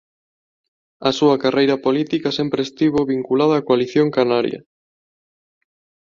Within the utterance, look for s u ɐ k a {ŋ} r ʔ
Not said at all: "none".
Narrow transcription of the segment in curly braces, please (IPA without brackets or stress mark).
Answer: none